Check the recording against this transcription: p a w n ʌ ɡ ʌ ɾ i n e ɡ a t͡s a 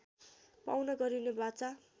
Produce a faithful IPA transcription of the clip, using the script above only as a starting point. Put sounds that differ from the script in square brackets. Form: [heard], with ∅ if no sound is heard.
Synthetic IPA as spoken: p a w n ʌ ɡ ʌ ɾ i n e [b] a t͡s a